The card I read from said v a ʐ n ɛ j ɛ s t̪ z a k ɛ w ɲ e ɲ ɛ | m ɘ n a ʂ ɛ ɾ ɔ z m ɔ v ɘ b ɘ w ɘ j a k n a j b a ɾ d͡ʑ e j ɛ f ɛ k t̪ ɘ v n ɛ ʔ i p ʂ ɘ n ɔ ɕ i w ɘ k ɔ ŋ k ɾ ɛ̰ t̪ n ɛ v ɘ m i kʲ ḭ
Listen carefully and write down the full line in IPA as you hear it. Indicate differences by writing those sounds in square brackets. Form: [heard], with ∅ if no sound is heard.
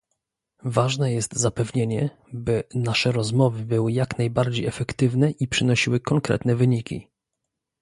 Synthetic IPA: v a ʐ n ɛ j ɛ s t̪ z a [p] ɛ [v] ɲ e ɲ ɛ | [b] ɘ n a ʂ ɛ ɾ ɔ z m ɔ v ɘ b ɘ w ɘ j a k n a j b a ɾ d͡ʑ e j ɛ f ɛ k t̪ ɘ v n ɛ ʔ i p ʂ ɘ n ɔ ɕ i w ɘ k ɔ ŋ k ɾ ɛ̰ t̪ n ɛ v ɘ [ɲ] i kʲ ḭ